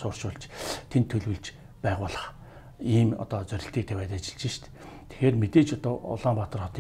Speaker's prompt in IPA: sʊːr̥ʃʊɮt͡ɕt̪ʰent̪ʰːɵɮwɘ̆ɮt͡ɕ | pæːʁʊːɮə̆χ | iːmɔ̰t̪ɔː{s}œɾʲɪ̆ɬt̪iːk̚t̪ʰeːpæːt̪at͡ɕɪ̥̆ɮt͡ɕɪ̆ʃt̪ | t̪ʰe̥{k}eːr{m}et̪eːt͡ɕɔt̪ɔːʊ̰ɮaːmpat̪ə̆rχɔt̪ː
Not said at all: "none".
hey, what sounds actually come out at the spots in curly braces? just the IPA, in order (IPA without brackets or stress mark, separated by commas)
t͡s, x, m